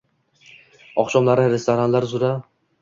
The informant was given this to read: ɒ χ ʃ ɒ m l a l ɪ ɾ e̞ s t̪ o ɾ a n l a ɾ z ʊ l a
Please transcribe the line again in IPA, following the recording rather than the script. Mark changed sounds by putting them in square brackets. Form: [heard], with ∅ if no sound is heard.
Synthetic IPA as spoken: ɒ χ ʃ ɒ m l a [ɾ] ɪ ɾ e̞ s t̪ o ɾ a n l a ɾ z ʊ [ɾ] a